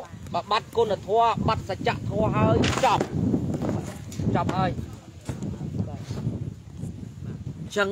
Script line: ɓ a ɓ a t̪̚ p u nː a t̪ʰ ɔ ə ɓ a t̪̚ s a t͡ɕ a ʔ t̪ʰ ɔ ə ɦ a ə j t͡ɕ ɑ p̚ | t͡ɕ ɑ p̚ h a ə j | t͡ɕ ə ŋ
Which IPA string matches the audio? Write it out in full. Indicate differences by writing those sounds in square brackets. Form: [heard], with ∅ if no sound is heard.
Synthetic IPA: ɓ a ɓ a t̪̚ [k] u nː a t̪ʰ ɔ ə ɓ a t̪̚ s a t͡ɕ a ʔ t̪ʰ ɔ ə ɦ a ə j t͡ɕ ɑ p̚ | t͡ɕ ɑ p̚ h a ə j | t͡ɕ ə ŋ